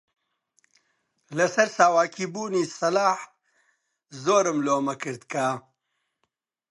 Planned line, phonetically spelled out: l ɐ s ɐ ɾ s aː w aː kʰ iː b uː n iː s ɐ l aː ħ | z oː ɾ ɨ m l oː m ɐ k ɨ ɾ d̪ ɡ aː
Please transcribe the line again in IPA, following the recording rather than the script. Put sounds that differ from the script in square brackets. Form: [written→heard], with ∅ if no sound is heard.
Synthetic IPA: l ɐ s ɐ ɾ s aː w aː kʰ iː b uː n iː s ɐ l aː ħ | z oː ɾ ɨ m l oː m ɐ k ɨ ɾ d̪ [ɡ→k] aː